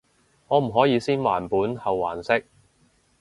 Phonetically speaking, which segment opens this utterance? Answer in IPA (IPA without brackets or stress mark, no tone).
ŋ